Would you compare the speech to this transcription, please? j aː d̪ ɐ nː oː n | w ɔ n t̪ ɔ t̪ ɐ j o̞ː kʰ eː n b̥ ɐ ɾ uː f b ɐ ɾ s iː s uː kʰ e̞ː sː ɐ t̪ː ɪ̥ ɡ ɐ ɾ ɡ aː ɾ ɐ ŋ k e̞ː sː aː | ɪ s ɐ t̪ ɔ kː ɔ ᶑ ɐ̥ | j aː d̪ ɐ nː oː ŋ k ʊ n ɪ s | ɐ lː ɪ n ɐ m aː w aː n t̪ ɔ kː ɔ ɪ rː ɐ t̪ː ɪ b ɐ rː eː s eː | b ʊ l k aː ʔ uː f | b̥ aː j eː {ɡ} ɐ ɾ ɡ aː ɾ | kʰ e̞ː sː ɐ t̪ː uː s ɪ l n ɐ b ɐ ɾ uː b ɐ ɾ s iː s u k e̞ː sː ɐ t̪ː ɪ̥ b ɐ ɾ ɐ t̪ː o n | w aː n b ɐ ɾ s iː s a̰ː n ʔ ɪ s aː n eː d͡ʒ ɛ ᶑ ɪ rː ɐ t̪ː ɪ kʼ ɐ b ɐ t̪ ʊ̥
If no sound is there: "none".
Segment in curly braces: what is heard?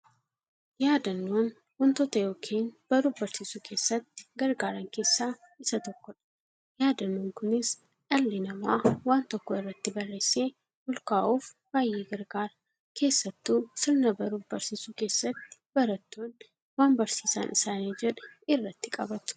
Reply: ɡ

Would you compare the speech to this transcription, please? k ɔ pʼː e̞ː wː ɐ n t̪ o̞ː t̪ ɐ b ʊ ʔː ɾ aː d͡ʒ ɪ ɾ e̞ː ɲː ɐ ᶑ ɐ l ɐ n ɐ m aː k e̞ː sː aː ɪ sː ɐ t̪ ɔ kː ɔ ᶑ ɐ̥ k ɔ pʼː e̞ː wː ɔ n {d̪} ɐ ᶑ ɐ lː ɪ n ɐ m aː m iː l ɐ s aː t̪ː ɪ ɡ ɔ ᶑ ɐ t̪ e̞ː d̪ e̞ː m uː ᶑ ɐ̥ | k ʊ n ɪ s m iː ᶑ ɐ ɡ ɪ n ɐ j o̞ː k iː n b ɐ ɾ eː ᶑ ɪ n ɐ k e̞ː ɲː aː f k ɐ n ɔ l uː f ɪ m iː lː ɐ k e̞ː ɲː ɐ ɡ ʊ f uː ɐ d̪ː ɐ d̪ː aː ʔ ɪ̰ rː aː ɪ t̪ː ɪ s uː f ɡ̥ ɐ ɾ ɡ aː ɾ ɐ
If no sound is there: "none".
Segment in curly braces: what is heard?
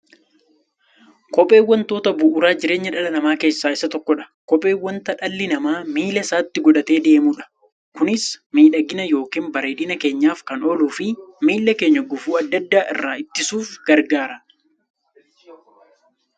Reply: t̪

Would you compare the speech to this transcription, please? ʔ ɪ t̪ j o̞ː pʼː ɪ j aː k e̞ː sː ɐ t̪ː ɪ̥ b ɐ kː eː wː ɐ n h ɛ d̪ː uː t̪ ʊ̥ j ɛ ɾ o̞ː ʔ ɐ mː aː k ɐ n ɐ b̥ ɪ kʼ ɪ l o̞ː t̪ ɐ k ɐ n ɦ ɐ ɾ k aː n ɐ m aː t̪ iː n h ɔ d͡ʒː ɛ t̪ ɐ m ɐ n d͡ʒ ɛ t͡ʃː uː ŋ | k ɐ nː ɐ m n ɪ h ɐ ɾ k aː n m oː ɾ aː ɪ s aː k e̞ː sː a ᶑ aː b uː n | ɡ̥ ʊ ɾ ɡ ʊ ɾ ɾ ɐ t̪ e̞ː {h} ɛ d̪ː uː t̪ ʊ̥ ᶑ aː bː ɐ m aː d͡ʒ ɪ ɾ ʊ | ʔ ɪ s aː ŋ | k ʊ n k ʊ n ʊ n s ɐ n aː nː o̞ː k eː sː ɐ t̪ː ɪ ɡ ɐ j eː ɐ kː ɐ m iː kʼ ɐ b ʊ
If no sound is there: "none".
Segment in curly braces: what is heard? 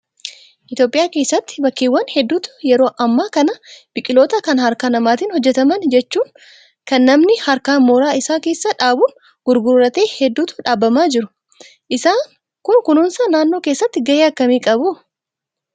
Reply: h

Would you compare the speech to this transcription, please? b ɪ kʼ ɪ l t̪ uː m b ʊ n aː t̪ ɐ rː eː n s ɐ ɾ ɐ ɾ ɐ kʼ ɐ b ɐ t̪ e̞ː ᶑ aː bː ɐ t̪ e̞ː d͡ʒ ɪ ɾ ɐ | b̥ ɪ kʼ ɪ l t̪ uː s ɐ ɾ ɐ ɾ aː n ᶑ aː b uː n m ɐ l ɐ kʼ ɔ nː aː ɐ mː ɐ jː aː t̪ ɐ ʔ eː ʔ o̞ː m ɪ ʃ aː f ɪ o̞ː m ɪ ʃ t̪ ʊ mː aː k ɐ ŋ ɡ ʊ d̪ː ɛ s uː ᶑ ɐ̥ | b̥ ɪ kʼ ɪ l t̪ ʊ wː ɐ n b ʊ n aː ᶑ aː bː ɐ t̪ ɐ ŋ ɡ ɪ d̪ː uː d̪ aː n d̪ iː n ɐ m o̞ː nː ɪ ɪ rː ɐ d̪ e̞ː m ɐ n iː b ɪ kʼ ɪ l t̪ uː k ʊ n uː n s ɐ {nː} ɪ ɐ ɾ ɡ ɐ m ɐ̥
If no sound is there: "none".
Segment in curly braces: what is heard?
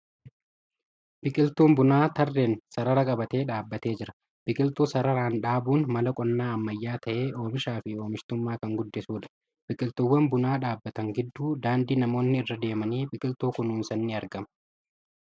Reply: nː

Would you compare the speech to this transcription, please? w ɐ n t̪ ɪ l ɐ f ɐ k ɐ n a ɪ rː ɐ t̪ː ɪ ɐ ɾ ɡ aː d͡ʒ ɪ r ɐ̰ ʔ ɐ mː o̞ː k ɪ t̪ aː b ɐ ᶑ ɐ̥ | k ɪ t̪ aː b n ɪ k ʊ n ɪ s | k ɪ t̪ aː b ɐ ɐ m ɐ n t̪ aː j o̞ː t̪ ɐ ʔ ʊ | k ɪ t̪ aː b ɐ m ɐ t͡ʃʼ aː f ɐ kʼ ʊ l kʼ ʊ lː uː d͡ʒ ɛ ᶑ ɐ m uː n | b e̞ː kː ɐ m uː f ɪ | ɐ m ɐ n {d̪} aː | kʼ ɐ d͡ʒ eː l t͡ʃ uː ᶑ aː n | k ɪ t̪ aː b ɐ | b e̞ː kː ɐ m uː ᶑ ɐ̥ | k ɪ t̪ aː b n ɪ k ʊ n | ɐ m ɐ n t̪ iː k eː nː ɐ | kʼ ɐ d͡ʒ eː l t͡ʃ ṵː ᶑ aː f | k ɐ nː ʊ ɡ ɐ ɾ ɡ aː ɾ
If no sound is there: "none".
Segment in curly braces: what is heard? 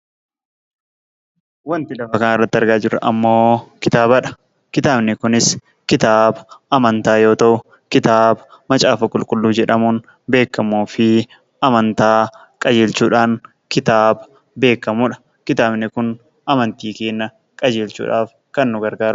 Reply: t̪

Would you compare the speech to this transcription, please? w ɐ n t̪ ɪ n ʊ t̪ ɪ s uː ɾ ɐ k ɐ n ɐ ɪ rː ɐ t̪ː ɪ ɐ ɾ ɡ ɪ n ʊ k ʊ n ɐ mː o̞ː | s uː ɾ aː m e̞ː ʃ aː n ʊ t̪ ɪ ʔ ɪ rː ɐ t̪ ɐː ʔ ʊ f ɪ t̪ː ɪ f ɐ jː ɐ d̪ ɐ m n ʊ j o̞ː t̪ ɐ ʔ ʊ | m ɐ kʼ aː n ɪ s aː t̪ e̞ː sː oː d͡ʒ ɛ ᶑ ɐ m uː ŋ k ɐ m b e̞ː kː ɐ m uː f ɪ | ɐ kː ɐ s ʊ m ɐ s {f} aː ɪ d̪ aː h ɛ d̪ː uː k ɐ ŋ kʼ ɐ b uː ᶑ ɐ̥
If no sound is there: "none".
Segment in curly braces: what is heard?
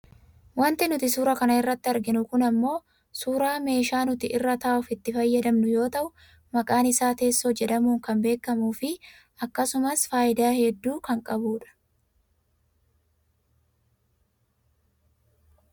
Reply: f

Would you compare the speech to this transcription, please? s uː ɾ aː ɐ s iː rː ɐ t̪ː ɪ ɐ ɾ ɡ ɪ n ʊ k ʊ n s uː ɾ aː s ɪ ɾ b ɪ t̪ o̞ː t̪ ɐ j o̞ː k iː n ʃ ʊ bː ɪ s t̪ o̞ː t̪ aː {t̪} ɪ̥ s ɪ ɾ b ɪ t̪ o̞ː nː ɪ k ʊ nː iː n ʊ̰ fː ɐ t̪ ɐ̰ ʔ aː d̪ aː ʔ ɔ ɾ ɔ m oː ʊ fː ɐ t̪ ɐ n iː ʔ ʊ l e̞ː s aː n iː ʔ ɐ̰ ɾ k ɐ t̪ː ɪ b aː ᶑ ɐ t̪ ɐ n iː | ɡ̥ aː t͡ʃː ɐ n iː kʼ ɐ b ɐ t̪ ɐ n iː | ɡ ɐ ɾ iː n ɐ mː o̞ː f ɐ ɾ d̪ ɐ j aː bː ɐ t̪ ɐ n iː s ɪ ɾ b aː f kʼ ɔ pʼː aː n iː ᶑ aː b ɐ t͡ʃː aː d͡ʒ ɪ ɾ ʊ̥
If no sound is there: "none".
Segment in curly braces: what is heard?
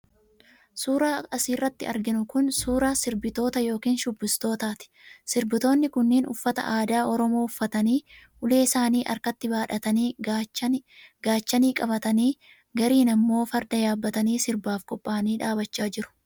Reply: t̪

